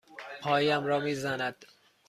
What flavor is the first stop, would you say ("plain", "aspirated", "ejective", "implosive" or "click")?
aspirated